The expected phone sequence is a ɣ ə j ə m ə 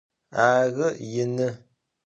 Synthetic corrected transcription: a ɣ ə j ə n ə

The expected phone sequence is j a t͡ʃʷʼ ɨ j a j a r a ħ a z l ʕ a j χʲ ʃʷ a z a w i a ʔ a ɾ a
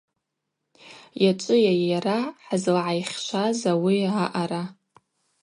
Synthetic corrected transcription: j a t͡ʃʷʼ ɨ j a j a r a ħ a z l ʕ a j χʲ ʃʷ a z a w i a ʔ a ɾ a

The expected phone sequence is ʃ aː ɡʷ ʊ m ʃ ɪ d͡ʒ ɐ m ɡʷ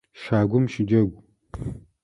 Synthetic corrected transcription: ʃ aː ɡʷ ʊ m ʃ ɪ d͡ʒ ɐ ɡʷ

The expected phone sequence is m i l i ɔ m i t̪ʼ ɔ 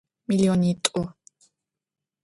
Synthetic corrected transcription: m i l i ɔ n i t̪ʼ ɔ

